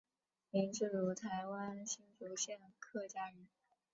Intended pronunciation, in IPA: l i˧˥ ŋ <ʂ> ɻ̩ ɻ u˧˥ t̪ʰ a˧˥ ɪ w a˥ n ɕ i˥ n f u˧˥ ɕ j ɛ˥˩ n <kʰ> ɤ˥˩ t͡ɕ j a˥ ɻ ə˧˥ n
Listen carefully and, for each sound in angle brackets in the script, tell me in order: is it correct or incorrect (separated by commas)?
incorrect, correct